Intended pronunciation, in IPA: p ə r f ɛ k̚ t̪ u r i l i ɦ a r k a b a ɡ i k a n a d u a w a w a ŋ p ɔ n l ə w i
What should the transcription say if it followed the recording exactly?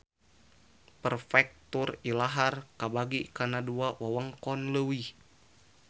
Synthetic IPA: p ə r f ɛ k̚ t̪ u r i l a ɦ a r k a b a ɡ i k a n a d u a w a w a ŋ k ɔ n l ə w i

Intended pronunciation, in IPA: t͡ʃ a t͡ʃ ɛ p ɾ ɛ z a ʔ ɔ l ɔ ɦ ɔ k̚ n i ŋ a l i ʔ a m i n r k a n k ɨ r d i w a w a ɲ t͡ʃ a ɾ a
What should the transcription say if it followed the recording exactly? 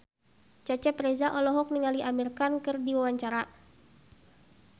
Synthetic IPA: t͡ʃ a t͡ʃ ɛ p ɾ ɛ z a ʔ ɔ l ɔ ɦ ɔ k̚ n i ŋ a l i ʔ a m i r k a n k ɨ r d i w a w a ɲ t͡ʃ a ɾ a

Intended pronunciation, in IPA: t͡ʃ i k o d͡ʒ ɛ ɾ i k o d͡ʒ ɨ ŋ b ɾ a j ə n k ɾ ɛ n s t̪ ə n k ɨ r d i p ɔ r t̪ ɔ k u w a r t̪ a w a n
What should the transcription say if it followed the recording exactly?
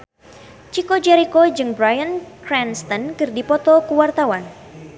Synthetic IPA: t͡ʃ i k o d͡ʒ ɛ ɾ i k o d͡ʒ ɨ ŋ b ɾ a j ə n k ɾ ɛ n s t̪ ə n k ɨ r d i p ɔ t̪ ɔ k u w a r t̪ a w a n

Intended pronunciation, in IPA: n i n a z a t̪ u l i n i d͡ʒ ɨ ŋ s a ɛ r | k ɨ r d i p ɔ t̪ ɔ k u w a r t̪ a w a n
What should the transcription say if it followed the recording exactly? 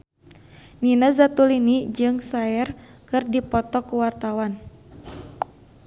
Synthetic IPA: n i n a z a t̪ u l i n i d͡ʒ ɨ ŋ s a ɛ r | k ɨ r d i p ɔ t̪ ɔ k u w a r t̪ a w a n

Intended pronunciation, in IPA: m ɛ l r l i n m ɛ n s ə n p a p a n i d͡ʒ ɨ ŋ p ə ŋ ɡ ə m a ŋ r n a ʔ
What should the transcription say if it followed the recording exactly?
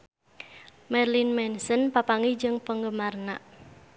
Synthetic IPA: m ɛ r l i n m ɛ n s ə n p a p a ŋ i d͡ʒ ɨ ŋ p ə ŋ ɡ ə m a r n a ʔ

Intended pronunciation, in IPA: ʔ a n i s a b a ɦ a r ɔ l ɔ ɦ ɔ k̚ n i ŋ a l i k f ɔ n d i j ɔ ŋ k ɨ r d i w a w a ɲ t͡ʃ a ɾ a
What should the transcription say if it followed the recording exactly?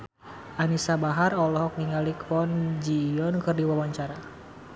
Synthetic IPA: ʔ a n i s a b a ɦ a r ɔ l ɔ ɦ ɔ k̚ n i ŋ a l i k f ɔ n d͡ʒ i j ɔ n k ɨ r d i w a w a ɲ t͡ʃ a ɾ a

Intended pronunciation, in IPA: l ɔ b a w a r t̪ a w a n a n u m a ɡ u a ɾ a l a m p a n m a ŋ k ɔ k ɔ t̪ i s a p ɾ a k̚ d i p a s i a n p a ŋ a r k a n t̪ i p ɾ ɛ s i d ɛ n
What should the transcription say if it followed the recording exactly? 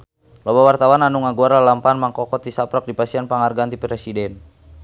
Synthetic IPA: l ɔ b a w a r t̪ a w a n a n u ŋ a ɡ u a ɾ a l a m p a n m a ŋ k ɔ k ɔ t̪ i s a p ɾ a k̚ d i p a s i a n p a ŋ a r ɡ a n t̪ i p ɾ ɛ s i d ɛ n

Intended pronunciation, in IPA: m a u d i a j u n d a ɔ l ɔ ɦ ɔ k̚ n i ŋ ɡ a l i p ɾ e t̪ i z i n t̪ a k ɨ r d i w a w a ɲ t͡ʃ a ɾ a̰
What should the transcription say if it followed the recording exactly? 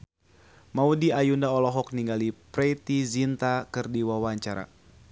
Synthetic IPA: m a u d i a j u n d a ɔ l ɔ ɦ ɔ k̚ n i ŋ ɡ a l i p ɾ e t̪ i z i n t̪ a k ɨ r d i w a w a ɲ t͡ʃ a ɾ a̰

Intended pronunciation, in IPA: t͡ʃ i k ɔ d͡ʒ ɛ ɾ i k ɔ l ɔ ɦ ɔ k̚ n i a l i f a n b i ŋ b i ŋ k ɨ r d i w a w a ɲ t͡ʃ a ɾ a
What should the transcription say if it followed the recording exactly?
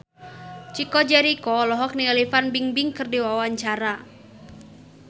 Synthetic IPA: t͡ʃ i k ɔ d͡ʒ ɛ ɾ i k ɔ l ɔ ɦ ɔ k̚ n i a l i f a n b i ŋ b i ŋ k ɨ r d i w a w a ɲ t͡ʃ a ɾ a

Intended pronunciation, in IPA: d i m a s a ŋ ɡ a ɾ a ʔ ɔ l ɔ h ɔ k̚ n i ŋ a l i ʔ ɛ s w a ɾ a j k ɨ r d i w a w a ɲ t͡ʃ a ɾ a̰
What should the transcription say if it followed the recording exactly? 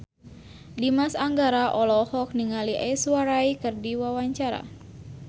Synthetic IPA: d i m a s a ŋ ɡ a ɾ a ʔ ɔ l ɔ h ɔ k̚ n i ŋ a l i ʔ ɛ s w a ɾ a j k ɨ r d i w a w a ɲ t͡ʃ a ɾ a̰

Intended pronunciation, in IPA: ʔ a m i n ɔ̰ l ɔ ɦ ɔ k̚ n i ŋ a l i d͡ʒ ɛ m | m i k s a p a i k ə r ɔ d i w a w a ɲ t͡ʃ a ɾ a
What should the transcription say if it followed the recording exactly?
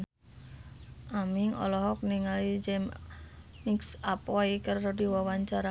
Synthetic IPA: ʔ a m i ŋ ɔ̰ l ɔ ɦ ɔ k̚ n i ŋ a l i d͡ʒ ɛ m | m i k s a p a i k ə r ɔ d i w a w a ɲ t͡ʃ a ɾ a

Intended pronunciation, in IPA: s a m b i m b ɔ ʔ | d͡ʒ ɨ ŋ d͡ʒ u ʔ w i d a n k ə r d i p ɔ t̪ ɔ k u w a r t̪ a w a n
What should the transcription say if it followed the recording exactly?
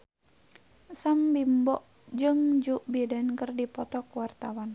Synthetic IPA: s a m b i m b ɔ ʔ | d͡ʒ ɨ ŋ d͡ʒ u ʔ b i d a n k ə r d i p ɔ t̪ ɔ k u w a r t̪ a w a n

